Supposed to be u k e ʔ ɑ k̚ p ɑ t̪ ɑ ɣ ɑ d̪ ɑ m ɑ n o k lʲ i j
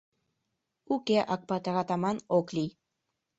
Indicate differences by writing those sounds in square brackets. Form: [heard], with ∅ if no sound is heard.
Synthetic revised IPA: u k e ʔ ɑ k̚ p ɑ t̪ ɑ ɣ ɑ [t̪] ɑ m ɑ n o k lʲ i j